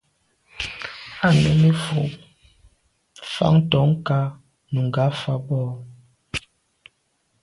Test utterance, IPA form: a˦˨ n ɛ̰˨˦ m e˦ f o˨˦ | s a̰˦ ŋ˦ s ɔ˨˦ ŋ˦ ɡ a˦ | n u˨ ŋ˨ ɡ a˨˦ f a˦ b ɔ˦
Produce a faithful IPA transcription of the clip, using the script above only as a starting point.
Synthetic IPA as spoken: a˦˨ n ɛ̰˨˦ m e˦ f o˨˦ | f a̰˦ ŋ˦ t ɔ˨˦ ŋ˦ k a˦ | n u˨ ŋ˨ ɡ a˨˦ f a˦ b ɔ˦

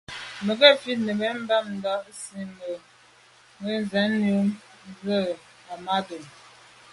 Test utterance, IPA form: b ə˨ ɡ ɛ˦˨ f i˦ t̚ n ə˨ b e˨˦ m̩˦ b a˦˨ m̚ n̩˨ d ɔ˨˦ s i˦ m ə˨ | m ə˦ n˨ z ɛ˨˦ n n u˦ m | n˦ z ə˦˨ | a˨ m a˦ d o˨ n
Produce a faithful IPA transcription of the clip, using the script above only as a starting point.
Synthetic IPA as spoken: m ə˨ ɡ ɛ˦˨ f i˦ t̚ n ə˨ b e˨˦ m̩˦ b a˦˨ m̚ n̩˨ d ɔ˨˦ s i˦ m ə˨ | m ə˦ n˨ z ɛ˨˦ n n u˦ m | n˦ z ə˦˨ | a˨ m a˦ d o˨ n

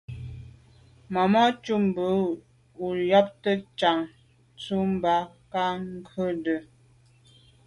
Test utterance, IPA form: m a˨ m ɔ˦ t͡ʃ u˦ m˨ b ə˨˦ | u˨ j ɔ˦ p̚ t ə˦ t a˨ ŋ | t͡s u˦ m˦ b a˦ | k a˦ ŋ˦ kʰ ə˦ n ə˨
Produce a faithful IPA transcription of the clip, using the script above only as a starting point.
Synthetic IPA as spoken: m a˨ m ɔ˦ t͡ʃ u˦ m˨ b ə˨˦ | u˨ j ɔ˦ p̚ t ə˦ t͡ʃ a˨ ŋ | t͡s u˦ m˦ b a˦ | k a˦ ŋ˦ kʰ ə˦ d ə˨

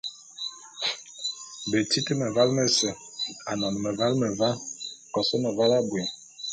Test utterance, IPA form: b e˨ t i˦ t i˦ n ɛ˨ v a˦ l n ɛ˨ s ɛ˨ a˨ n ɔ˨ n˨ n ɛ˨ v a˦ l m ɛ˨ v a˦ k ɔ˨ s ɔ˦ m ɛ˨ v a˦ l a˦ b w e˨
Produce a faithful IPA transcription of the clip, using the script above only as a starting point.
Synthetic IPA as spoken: b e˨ t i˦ t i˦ m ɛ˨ v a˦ l m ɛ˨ s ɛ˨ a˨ n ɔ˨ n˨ m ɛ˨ v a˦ l m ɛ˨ v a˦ k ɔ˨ s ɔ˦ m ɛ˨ v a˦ l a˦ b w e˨

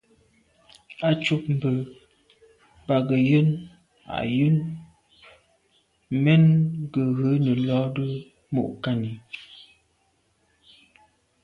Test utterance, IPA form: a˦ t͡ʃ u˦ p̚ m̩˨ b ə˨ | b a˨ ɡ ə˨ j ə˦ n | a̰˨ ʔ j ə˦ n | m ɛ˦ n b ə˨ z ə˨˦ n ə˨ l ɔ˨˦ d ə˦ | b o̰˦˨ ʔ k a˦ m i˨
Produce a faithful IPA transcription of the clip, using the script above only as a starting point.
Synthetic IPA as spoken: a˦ t͡ʃ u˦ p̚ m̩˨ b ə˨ | b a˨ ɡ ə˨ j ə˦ n | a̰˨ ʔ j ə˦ n | m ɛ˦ n ɡ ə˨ ɣ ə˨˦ n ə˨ l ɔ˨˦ d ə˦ | m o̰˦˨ ʔ k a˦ n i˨

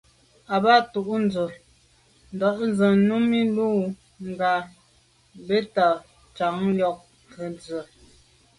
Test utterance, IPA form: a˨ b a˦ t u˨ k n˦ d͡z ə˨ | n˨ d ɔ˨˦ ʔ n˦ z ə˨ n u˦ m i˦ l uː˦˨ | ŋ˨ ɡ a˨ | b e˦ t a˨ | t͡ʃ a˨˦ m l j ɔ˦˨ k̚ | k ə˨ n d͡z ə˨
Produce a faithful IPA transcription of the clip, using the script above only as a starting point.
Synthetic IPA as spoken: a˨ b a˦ t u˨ ʔ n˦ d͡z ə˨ | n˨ d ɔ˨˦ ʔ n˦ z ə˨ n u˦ m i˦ l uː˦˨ | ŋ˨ ɡ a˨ | b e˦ t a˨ | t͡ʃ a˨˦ ŋ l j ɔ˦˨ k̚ | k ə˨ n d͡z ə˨

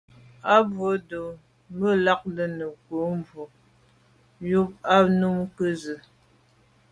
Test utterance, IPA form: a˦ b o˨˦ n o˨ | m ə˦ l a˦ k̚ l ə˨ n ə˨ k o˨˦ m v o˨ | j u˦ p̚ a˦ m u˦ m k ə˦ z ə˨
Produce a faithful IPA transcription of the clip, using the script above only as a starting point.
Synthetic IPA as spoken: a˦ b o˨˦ d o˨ | m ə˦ l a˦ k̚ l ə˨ n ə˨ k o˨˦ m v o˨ | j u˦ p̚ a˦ n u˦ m k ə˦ z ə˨

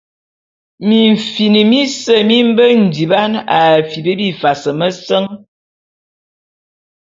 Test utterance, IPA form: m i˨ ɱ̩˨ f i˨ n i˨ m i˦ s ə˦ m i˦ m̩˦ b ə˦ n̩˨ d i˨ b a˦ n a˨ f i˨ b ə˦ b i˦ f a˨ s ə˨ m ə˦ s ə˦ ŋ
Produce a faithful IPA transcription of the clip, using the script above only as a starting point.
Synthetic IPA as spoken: m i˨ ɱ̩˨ f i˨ n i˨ m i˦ s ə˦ m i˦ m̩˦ b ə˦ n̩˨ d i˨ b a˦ n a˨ f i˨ b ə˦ b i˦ f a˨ s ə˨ m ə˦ s ə˦ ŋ

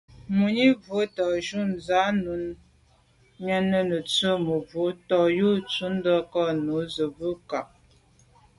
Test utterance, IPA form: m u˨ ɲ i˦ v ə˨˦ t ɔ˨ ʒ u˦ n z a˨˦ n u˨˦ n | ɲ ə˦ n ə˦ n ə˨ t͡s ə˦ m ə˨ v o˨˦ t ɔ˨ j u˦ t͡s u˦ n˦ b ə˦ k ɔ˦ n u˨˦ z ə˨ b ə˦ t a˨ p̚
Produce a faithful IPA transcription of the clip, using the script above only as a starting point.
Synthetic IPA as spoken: m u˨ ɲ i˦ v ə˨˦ t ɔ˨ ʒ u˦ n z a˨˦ n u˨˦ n | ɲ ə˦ n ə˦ n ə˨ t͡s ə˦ m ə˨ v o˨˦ t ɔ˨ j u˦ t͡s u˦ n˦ d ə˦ k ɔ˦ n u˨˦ z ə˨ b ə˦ k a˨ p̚

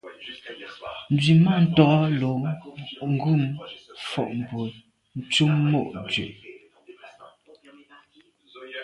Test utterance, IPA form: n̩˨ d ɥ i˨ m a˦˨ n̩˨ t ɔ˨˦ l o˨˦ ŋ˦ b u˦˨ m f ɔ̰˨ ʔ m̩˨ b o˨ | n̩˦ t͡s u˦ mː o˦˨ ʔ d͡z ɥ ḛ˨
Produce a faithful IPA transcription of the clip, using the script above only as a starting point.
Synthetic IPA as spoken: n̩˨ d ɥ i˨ m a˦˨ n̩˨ t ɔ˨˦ l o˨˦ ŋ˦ ɡ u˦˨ m f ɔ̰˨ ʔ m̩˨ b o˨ | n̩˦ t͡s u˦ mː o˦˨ ʔ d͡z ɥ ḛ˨

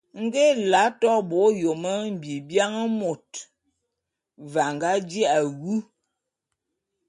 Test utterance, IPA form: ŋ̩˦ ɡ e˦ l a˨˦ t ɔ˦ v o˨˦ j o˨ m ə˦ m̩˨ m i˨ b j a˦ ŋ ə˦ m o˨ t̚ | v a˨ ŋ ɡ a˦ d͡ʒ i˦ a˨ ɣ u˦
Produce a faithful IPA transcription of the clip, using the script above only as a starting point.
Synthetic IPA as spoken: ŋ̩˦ ɡ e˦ l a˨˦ t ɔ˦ b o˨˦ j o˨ m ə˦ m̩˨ b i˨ b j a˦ ŋ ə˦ m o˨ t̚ | v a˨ ŋ ɡ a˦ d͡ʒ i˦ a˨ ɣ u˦

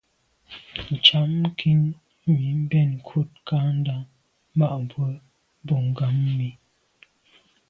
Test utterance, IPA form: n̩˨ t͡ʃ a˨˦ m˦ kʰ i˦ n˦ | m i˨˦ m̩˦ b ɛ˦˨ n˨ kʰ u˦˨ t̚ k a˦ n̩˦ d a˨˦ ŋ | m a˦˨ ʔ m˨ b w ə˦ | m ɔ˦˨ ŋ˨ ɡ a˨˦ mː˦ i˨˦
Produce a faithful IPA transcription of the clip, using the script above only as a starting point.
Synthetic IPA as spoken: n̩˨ t͡ʃ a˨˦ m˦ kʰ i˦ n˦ | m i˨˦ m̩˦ b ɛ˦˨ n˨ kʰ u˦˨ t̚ k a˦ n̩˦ d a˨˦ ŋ | m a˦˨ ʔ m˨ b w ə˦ | b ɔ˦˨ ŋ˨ ɡ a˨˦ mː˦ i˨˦

